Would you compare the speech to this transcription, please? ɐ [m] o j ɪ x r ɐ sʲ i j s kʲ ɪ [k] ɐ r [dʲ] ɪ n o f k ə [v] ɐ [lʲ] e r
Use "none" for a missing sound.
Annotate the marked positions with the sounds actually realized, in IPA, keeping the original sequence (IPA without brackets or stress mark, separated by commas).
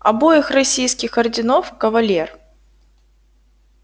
b, x, dʲ, v, lʲ